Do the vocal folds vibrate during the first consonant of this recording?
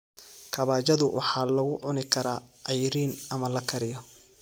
no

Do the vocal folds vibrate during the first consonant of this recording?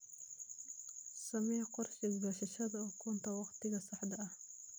no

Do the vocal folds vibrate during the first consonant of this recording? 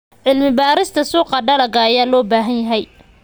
yes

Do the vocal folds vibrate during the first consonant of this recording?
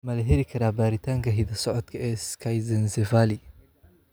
yes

